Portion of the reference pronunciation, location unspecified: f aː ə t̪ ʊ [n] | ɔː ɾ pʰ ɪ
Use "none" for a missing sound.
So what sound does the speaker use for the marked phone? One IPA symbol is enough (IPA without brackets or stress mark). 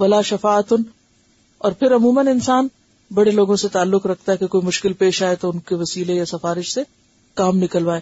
n